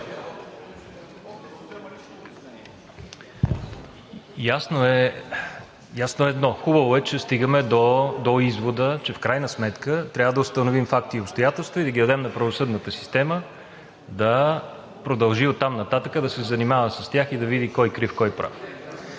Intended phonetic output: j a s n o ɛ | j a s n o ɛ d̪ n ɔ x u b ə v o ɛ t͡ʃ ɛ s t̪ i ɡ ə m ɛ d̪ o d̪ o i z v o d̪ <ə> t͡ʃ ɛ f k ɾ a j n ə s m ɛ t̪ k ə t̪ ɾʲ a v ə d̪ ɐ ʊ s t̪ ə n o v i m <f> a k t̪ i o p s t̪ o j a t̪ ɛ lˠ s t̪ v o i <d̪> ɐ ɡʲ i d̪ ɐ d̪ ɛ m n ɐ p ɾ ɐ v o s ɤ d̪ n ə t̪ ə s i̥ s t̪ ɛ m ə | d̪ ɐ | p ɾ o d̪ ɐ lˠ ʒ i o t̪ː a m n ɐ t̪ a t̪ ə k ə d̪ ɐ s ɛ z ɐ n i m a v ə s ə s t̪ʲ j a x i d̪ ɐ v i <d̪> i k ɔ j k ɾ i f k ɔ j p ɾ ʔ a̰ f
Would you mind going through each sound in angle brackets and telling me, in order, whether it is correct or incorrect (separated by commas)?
correct, correct, correct, correct